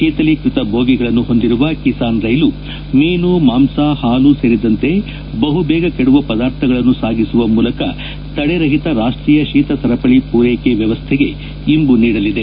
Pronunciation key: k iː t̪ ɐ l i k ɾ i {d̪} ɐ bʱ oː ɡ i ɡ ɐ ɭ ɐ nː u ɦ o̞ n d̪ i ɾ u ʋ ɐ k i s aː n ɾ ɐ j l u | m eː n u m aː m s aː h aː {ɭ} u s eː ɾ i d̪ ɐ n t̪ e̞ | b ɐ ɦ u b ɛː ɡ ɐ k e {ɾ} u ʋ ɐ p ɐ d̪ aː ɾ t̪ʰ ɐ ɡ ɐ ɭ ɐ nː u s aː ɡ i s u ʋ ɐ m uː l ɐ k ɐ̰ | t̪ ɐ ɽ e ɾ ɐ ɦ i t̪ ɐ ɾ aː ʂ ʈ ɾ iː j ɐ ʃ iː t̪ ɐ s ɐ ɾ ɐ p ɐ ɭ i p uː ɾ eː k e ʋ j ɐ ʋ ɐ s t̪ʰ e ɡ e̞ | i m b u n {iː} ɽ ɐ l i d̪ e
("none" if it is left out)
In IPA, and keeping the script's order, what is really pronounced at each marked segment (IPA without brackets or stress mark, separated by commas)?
t̪, l, ɽ, iː